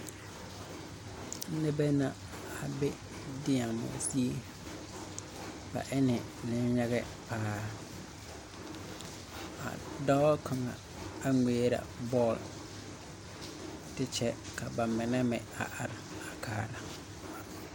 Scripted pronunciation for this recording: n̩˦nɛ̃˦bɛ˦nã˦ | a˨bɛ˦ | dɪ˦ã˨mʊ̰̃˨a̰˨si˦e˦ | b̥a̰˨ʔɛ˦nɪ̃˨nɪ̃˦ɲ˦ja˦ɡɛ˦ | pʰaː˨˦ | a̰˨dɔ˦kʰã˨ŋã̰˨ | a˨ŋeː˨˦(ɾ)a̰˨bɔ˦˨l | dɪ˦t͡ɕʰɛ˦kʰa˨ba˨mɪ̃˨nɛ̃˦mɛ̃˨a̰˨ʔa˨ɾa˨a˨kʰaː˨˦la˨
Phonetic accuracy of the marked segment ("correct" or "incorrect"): correct